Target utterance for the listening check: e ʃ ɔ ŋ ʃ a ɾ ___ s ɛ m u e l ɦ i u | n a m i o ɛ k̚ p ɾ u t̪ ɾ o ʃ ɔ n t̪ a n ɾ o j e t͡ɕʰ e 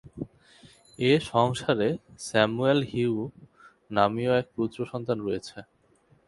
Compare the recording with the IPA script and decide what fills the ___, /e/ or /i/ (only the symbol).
e